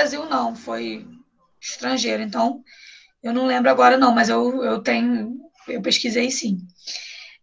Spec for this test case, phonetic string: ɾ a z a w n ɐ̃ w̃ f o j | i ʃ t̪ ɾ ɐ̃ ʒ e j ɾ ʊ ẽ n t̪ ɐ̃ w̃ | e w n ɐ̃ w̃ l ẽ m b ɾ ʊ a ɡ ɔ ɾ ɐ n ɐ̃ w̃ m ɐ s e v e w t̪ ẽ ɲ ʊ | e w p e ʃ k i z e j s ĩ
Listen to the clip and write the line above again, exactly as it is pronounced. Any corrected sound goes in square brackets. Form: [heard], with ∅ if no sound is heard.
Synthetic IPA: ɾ a z [i] w n ɐ̃ w̃ f o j | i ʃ t̪ ɾ ɐ̃ ʒ e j ɾ ʊ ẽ n t̪ ɐ̃ w̃ | e w n ɐ̃ w̃ l ẽ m b ɾ ʊ a ɡ ɔ ɾ ɐ n ɐ̃ w̃ m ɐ [z] e [w] e w t̪ ẽ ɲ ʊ | e w p e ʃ k i z e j s ĩ